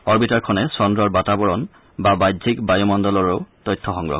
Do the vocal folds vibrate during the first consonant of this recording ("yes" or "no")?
yes